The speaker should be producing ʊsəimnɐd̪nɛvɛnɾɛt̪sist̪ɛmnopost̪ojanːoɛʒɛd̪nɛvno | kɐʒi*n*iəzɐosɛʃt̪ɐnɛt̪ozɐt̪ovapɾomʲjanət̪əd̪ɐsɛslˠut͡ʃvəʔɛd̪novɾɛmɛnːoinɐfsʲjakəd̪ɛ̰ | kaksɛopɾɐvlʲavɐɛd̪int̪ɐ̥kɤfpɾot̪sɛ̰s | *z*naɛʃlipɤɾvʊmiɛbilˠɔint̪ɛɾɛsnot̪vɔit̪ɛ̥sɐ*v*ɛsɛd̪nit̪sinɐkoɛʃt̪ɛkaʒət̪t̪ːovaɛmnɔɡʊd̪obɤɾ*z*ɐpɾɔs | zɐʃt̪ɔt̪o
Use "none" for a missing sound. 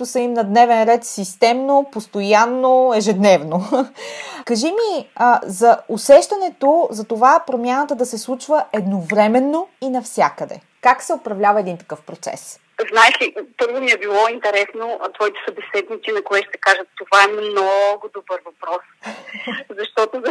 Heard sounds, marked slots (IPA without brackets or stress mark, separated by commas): m, z, b, v